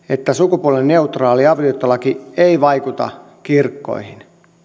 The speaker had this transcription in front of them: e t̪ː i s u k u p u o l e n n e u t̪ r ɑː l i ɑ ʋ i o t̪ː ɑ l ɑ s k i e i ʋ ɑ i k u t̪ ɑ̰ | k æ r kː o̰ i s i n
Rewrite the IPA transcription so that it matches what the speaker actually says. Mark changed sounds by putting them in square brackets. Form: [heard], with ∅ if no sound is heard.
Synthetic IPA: e t̪ː [æ] s u k u p u o l e n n e u t̪ r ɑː l i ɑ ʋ i o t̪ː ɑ l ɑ [∅] k i e i ʋ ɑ i k u t̪ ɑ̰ | k [i] r kː o̰ i [h] i n